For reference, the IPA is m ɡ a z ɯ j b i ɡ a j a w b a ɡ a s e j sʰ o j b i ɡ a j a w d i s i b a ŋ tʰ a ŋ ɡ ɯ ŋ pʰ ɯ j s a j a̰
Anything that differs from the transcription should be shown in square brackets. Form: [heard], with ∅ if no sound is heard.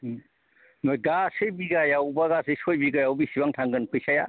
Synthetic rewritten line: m ɡ a [s] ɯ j b i ɡ a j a w b a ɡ a s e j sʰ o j b i ɡ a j a w [b] i s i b a ŋ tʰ a ŋ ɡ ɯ [n] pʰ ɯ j s a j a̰